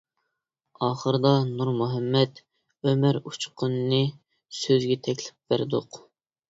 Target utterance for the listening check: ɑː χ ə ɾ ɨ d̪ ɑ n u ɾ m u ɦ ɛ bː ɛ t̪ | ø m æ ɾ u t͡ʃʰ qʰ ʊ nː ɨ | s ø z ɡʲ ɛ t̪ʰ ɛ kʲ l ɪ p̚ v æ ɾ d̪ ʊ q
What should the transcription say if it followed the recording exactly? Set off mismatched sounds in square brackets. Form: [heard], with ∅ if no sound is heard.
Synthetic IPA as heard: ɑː χ ə ɾ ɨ d̪ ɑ n u ɾ m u ɦ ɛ [mː] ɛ t̪ | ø m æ ɾ u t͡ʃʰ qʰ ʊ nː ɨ | s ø z ɡʲ ɛ t̪ʰ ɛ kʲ l ɪ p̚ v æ ɾ d̪ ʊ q